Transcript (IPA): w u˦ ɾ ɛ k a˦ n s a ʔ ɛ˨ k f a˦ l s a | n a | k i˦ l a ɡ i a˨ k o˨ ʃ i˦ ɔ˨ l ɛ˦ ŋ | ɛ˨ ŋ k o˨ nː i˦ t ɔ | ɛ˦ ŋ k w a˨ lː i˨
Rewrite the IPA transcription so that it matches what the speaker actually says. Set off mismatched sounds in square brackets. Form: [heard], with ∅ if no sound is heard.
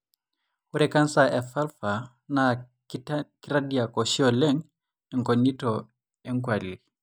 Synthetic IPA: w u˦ ɾ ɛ k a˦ n s a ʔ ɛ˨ [∅] f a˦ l [f] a | n a | k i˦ [ɾ] a [d] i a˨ k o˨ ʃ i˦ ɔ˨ l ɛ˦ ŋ | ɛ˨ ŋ k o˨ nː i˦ t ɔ | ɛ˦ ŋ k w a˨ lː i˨

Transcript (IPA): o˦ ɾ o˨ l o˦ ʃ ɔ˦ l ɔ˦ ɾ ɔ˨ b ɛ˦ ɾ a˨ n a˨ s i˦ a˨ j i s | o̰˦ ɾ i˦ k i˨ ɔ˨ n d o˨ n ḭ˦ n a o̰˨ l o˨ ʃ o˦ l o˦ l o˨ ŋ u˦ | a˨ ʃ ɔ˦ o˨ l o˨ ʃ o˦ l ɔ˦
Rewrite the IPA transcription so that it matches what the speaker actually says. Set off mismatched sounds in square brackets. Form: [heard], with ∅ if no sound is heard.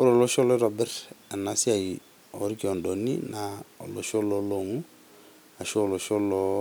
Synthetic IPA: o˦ ɾ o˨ l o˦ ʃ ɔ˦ l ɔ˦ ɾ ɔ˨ b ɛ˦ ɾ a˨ n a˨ s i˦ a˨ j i [∅] | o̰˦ ɾ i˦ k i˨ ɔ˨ n d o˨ n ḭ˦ n a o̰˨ l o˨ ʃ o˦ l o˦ l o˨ ŋ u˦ | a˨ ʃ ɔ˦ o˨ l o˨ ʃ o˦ l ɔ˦

